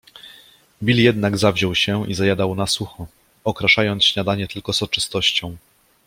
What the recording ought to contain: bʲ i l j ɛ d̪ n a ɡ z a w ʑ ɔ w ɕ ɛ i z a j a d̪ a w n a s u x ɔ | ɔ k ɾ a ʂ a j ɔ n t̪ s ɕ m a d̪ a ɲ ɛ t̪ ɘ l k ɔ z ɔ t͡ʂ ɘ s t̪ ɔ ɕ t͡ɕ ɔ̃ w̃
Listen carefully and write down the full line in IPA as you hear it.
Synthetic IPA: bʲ i l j ɛ d̪ n a ɡ z a v ʑ ɔ w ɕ ɛ i z a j a d̪ a w n a s u x ɔ | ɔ k ɾ a ʂ a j ɔ n t̪ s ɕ ɲ a d̪ a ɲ ɛ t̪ ɘ l k ɔ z ɔ t͡ʂ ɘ s t̪ ɔ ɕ t͡ɕ ɔ̃ w̃